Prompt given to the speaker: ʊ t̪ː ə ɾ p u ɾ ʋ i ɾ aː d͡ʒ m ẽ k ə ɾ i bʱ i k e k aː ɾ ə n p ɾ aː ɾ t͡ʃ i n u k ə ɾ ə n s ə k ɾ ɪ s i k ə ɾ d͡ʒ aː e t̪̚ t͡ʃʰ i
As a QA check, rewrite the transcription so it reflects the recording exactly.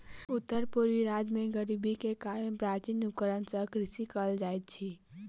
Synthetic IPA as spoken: ʊ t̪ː ə ɾ p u ɾ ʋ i ɾ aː d͡ʒ m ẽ ɡ ə ɾ i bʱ i k e k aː ɾ ə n p ɾ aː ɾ t͡ʃ i n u k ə ɾ ə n s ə k ɾ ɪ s i k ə l d͡ʒ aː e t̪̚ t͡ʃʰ i